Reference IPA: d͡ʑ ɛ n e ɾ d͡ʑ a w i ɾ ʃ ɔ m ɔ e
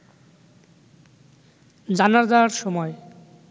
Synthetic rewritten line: d͡ʑ a n a ɾ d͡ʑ a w a ɾ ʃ ɔ m ɔ e